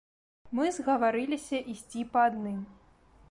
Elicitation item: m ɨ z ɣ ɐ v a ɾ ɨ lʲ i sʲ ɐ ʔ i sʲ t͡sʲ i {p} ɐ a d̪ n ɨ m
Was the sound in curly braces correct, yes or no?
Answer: yes